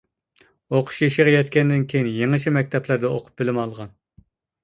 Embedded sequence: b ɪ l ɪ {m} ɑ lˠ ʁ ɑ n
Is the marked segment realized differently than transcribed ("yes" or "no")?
no